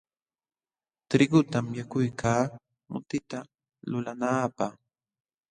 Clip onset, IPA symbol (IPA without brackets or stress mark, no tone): t̪